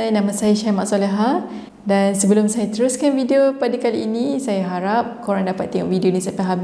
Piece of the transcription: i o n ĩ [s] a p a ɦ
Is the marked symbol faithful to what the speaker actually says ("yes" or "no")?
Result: yes